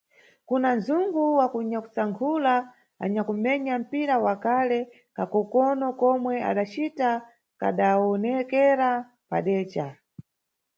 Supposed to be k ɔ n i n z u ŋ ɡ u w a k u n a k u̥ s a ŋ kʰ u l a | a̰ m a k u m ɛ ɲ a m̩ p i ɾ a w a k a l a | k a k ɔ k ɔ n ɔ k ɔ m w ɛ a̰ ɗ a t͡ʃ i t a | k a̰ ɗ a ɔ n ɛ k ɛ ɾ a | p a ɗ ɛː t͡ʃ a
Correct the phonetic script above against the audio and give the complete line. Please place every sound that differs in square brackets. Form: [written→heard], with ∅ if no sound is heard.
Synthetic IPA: k [ɔ→u] n [i→a] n z u ŋ ɡ u w a k u [n→ɲ] a k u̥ s a ŋ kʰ u l a | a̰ [m→ɲ] a k u m ɛ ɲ a m̩ p i ɾ a w a k a l [a→ɛ] | k a k ɔ k ɔ n ɔ k ɔ m w ɛ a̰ ɗ a t͡ʃ i t a | k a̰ ɗ a ɔ n ɛ k ɛ ɾ a | p a ɗ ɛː t͡ʃ a